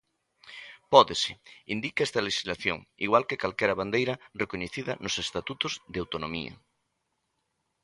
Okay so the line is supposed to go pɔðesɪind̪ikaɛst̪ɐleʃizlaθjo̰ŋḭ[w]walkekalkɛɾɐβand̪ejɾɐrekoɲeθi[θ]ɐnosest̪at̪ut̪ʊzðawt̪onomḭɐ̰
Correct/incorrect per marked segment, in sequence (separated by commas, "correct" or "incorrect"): incorrect, incorrect